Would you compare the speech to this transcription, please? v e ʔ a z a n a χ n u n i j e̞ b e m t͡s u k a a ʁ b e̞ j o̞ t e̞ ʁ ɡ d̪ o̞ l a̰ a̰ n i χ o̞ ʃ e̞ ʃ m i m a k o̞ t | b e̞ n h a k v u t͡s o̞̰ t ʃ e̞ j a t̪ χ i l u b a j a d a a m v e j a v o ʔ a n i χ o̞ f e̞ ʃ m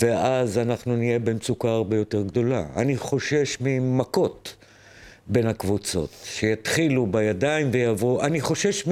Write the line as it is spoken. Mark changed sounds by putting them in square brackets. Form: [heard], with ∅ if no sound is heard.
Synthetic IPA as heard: v e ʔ a z a n a χ n u n i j e̞ b e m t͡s u k a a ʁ b e̞ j o̞ t e̞ ʁ ɡ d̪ o̞ l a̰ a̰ n i χ o̞ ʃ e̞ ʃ m i m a k o̞ t | b e̞ n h a k v u t͡s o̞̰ t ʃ e̞ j a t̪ χ i l u b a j a d a [i] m v e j a v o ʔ a n i χ o̞ [ʃ] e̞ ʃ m